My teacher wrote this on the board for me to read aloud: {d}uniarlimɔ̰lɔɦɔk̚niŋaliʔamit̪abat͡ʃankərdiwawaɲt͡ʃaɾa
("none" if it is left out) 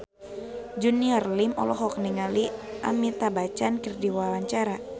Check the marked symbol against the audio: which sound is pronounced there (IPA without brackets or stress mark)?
d͡ʒ